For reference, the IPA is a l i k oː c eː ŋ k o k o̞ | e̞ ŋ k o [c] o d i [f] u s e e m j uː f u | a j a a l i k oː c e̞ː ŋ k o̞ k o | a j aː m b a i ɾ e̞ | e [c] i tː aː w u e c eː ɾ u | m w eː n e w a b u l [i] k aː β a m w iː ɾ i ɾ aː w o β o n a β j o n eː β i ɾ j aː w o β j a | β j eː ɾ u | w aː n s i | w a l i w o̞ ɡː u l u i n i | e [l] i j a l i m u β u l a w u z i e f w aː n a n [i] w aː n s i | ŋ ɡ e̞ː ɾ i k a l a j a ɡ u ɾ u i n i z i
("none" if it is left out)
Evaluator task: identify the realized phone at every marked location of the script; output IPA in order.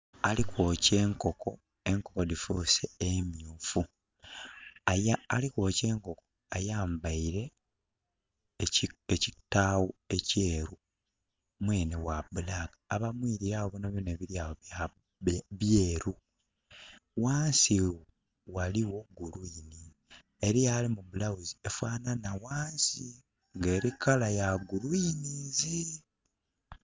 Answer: k, f, c, a, ɾ, a

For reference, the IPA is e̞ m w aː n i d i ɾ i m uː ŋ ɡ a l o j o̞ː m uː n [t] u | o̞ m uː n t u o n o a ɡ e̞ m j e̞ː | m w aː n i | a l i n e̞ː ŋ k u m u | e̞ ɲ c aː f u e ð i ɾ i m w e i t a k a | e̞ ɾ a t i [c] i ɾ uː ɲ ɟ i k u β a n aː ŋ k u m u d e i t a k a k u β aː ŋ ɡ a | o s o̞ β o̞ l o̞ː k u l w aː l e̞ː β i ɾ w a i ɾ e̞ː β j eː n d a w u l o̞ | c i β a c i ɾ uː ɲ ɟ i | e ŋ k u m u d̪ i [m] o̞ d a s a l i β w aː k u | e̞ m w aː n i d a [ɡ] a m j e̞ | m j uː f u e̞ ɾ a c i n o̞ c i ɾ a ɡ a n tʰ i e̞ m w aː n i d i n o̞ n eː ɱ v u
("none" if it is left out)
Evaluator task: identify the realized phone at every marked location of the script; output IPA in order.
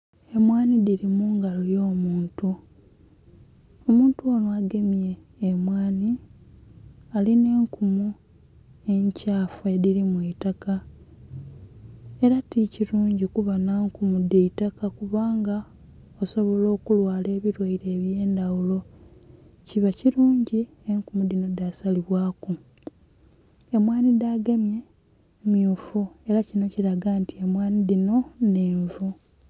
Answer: t, c, n, ɡ

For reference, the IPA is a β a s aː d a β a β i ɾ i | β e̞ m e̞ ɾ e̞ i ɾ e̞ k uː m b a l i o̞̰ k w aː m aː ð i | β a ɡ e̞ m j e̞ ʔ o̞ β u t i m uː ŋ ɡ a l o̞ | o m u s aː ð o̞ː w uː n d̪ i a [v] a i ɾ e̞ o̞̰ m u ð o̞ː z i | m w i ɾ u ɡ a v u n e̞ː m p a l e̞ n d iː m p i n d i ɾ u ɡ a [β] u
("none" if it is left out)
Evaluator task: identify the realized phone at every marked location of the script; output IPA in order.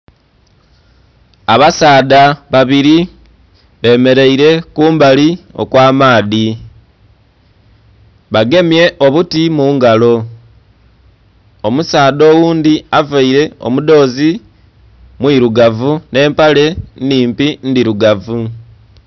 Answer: v, v

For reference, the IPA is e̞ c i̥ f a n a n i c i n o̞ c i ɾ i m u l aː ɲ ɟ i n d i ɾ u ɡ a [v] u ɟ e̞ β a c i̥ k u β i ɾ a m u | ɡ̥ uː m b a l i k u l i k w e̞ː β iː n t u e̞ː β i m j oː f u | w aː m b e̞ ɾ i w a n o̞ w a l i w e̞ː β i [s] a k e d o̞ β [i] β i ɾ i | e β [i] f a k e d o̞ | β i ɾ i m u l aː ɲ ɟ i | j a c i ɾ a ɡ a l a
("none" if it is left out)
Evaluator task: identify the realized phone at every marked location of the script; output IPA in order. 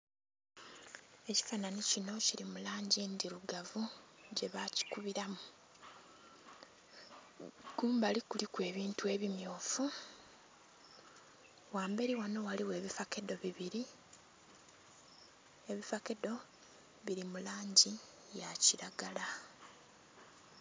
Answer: v, f, i, i

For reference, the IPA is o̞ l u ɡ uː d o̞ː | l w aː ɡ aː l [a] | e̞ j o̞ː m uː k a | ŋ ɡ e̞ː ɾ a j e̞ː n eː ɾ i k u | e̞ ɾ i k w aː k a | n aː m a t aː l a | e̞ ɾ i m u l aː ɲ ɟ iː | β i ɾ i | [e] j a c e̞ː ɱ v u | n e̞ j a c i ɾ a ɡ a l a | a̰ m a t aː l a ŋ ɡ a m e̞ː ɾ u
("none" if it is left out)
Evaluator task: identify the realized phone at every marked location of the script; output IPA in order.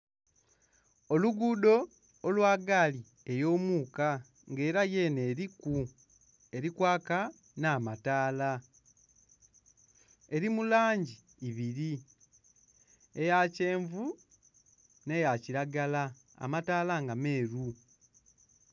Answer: i, e

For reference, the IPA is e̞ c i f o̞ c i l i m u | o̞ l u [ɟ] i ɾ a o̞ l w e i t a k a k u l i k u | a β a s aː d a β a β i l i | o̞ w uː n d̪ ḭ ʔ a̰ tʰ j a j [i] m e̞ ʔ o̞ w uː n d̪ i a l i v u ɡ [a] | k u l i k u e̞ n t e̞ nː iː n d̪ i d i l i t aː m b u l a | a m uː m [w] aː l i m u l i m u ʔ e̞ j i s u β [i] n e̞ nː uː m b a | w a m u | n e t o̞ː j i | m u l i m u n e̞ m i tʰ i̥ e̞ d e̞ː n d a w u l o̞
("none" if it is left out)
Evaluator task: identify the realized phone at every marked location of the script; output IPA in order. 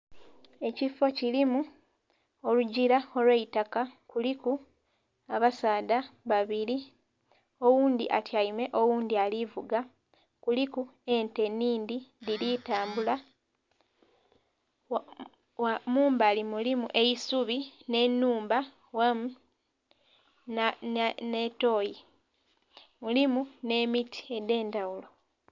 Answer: ɟ, i, a, b, i

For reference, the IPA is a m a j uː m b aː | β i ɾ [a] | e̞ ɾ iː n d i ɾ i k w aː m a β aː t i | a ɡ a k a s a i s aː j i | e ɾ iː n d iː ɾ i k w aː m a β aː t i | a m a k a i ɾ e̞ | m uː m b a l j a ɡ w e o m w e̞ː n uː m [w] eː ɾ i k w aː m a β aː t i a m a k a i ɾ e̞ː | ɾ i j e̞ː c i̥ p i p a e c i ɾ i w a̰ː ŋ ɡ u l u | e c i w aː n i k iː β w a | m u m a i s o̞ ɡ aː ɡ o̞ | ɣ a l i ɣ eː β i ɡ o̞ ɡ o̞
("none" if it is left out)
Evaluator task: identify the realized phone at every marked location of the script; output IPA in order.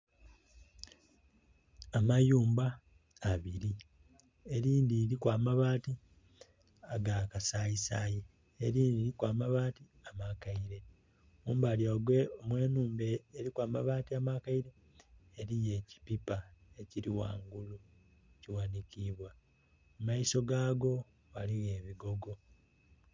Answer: i, b

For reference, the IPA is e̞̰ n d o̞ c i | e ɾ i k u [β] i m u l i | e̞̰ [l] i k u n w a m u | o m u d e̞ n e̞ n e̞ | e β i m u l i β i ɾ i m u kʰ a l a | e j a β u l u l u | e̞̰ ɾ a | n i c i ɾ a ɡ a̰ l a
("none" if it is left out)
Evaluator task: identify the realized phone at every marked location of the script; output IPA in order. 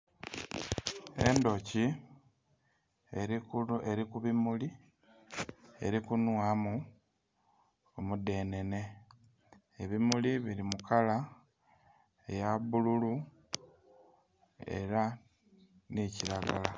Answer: β, ɾ

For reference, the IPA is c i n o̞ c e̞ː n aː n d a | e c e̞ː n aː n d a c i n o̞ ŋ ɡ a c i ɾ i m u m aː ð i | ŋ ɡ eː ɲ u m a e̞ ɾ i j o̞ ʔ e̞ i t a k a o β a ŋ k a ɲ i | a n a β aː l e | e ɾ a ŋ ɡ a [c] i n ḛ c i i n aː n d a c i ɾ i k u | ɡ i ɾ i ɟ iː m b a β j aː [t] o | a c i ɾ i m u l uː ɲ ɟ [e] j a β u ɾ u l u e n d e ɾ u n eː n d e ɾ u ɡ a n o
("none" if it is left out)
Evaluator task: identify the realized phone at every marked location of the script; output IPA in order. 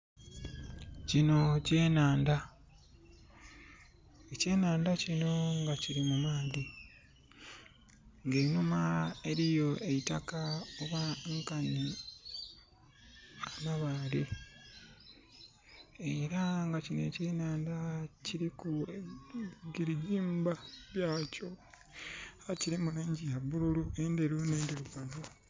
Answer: c, c, i

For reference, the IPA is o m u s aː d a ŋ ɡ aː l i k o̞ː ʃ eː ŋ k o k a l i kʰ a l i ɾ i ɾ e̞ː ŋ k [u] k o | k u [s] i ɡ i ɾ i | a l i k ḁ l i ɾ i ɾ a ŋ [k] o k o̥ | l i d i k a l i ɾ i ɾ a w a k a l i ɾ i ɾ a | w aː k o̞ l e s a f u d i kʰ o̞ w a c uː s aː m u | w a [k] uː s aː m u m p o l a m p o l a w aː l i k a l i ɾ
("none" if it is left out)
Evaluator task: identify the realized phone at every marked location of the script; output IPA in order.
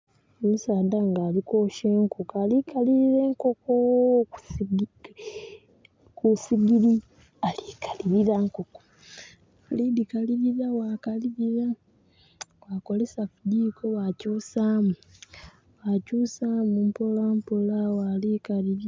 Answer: o, s, k, c

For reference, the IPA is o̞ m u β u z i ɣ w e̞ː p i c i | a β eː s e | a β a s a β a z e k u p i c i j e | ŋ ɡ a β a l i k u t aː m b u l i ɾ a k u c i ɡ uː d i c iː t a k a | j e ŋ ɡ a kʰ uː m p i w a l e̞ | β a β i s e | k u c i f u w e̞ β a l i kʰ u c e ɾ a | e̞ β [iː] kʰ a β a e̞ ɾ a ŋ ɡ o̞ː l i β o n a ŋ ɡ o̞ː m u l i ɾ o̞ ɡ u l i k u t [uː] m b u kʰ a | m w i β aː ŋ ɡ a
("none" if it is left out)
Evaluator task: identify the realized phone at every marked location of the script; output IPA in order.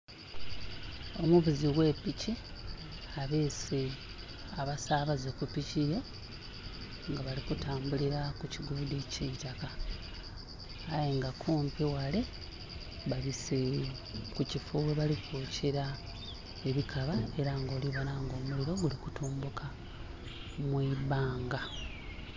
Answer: i, uː

